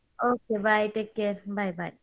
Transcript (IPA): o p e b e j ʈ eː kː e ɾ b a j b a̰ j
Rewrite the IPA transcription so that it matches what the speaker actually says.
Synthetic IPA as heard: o k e b a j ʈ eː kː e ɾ b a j b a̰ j